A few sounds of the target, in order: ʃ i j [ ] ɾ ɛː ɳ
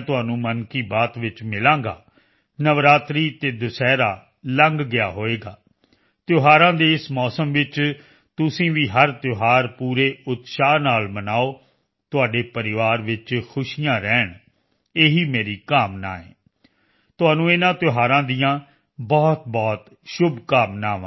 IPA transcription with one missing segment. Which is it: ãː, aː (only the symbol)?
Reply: ãː